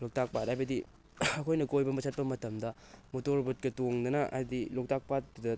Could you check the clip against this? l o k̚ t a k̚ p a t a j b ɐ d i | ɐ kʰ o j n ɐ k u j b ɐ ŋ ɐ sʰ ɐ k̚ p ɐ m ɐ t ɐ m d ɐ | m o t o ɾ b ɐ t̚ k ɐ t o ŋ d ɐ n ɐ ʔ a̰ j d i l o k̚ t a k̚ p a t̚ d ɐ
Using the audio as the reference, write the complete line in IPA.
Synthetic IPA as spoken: l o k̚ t a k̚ p a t a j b ɐ d i | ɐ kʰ o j n ɐ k o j b ɐ m ɐ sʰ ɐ t̚ p ɐ m ɐ t ɐ m d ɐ | m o t o ɾ b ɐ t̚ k ɐ t o ŋ d ɐ n ɐ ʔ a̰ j d i l o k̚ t a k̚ p a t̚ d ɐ